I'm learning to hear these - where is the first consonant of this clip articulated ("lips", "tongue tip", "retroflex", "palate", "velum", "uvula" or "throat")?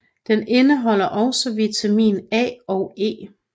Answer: tongue tip